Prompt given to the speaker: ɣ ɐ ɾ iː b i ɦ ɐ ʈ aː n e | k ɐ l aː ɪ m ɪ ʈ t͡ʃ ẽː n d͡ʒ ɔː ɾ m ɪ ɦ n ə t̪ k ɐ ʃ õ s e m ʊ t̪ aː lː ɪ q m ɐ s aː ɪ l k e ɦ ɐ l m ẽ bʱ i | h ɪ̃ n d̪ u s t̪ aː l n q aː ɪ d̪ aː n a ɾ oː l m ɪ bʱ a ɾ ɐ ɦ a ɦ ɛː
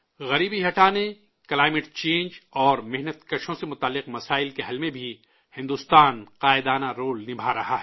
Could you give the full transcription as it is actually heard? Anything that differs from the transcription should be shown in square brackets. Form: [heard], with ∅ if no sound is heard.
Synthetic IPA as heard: ɣ ɐ ɾ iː b i ɦ ɐ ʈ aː n e | k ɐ l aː ɪ m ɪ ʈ t͡ʃ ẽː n d͡ʒ ɔː ɾ m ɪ ɦ n ə t̪ k ɐ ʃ õ s e m ʊ t̪ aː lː ɪ q m ɐ s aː ɪ l k e ɦ ɐ l m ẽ bʱ i | h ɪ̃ n d̪ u s t̪ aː [∅] n q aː ɪ d̪ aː n a ɾ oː l [n] ɪ bʱ a ɾ ɐ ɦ a ɦ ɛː

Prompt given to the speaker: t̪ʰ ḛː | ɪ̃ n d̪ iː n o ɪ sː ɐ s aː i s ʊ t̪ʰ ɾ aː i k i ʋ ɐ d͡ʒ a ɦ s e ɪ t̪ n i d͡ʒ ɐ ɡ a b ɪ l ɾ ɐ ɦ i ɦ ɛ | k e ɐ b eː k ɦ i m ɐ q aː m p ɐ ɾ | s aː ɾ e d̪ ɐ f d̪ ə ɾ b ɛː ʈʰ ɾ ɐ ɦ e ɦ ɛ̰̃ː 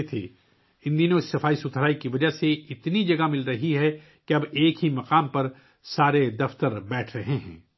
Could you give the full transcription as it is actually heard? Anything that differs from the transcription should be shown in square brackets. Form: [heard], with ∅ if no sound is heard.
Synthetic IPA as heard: t̪ʰ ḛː | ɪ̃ n d̪ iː n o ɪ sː ɐ [f] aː i s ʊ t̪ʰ ɾ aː i k i ʋ ɐ d͡ʒ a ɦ s e ɪ t̪ n i d͡ʒ ɐ ɡ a [m] ɪ l ɾ ɐ ɦ i ɦ ɛ | k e ɐ b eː k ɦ i m ɐ q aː m p ɐ ɾ | s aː ɾ e d̪ ɐ f [t̪] ə ɾ b ɛː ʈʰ ɾ ɐ ɦ e ɦ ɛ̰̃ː

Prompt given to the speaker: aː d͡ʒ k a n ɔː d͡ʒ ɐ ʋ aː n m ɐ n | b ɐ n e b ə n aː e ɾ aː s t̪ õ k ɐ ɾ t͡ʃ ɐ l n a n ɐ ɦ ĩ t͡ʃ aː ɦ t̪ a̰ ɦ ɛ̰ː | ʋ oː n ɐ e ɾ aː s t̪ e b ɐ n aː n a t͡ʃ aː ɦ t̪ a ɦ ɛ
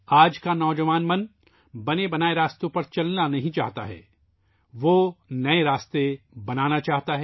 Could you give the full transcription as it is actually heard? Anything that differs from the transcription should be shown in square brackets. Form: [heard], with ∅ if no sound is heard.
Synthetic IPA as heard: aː d͡ʒ k a n ɔː d͡ʒ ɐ ʋ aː n m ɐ n | b ɐ n e b [ɐ] n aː e ɾ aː s t̪ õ [p] ɐ ɾ t͡ʃ ɐ l n a n ɐ ɦ ĩ t͡ʃ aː ɦ t̪ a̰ ɦ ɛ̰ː | ʋ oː n ɐ e ɾ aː s t̪ e b ɐ n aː n a t͡ʃ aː ɦ t̪ a ɦ ɛ

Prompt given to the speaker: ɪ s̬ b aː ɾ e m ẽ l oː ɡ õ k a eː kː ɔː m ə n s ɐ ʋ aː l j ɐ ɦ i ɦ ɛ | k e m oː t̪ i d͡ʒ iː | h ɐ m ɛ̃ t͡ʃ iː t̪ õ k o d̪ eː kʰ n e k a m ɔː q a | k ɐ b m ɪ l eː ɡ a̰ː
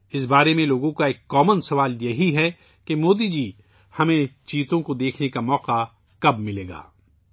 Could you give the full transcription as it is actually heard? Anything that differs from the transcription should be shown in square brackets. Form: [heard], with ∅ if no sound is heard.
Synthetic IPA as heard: ɪ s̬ b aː ɾ e m ẽ l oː ɡ õ k a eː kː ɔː m ə n s ɐ ʋ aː l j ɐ ɦ i ɦ ɛ | k e m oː [d̪] i d͡ʒ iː | h ɐ m [ẽ] t͡ʃ iː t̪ õ k o d̪ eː kʰ n e k a m ɔː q a | k ɐ b m ɪ l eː ɡ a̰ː

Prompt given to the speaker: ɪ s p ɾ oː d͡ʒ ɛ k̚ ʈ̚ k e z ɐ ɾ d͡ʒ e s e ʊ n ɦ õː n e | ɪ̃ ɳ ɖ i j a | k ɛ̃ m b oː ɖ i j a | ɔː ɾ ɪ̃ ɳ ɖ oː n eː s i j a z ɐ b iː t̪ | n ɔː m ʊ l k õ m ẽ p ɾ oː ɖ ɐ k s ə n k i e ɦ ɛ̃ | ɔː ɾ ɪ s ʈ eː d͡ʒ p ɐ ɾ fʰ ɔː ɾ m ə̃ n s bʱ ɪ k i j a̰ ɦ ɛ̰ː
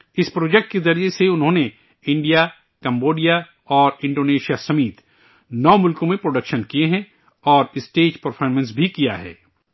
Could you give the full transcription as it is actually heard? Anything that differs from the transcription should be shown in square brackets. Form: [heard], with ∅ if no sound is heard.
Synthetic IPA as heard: ɪ s p ɾ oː d͡ʒ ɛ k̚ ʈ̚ k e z ɐ ɾ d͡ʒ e s e ʊ n ɦ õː n e | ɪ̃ ɳ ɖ i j a | k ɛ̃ m b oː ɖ i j a | ɔː ɾ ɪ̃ ɳ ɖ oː n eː [ʃ] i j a [s] ɐ [m] iː t̪ | n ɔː m ʊ l k õ m ẽ p ɾ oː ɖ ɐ k [ʃ] ə n k i e ɦ ɛ̃ | ɔː ɾ ɪ s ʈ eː d͡ʒ p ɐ ɾ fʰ ɔː ɾ m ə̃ n s bʱ [i] k i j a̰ ɦ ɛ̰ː

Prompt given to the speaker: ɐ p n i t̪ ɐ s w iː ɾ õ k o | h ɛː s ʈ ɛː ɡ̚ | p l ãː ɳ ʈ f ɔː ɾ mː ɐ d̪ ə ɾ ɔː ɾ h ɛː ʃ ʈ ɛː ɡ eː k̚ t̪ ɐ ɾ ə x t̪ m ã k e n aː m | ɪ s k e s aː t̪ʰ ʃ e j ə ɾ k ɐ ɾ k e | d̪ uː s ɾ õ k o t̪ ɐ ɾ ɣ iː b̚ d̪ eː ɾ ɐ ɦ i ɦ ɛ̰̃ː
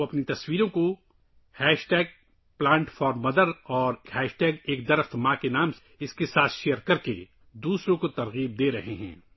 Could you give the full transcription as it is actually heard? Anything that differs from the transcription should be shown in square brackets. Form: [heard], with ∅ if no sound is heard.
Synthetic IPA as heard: ɐ p n i t̪ ɐ s w iː ɾ õ k o | h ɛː [ʃ] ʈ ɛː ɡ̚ | p l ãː ɳ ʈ f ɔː ɾ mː ɐ d̪ ə ɾ ɔː ɾ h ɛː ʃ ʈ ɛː ɡ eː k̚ [d̪] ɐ ɾ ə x t̪ m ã k e n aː m | ɪ s k e s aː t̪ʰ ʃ e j ə ɾ k ɐ ɾ k e | d̪ uː s ɾ õ k o t̪ ɐ ɾ ɣ iː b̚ d̪ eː ɾ ɐ ɦ [e] ɦ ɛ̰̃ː

